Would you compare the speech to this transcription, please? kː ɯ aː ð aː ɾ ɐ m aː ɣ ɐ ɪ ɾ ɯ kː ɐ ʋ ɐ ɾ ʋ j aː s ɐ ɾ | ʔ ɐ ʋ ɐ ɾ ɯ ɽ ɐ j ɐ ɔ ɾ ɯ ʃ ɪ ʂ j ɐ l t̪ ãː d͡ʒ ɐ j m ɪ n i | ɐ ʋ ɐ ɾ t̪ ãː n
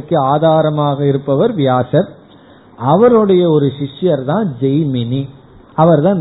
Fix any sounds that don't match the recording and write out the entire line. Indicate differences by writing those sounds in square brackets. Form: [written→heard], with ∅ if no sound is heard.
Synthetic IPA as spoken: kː ɯ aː ð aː ɾ ɐ m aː ɣ ɐ ɪ ɾ ɯ [kː→pː] ɐ ʋ ɐ ɾ ʋ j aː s ɐ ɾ | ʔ ɐ ʋ ɐ ɾ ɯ ɽ ɐ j ɐ ɔ ɾ ɯ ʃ ɪ ʂ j ɐ [l→ɾ] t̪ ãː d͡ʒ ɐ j m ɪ n i | ɐ ʋ ɐ ɾ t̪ ãː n